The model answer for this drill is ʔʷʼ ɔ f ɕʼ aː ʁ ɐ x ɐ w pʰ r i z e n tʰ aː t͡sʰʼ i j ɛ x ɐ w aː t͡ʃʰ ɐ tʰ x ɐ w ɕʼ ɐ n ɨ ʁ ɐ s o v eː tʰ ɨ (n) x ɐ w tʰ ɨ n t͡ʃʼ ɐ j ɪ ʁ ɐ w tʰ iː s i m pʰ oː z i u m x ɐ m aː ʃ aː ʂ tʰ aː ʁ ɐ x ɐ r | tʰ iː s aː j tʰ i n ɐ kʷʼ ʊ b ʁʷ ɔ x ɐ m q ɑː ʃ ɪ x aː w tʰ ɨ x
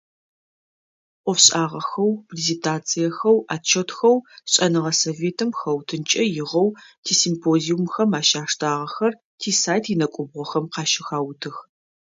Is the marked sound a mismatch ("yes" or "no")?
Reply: yes